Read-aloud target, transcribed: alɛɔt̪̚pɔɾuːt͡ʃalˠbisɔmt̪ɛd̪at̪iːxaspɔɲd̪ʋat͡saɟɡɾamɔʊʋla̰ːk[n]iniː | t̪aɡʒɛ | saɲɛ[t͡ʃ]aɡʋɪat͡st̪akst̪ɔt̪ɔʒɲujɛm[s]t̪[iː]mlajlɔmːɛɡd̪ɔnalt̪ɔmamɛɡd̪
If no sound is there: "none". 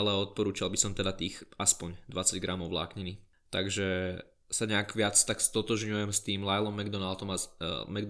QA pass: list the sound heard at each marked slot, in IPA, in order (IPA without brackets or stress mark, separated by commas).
ɲ, none, s, iː